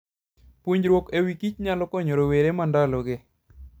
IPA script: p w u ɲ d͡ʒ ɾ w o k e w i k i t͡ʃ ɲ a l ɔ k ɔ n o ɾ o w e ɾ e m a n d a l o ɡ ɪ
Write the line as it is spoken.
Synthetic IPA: p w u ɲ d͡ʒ ɾ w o k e w i k i t͡ʃ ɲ a l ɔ k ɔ ɲ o ɾ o w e ɾ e m a n d a l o ɡ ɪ